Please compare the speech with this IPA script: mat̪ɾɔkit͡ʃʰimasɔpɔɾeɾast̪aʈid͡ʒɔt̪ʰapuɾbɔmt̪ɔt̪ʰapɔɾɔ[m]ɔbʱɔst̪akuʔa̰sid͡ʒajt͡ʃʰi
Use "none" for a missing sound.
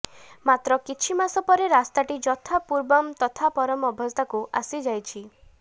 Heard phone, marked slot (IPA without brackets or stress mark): m